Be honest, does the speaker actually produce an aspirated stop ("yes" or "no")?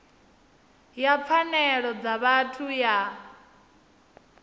yes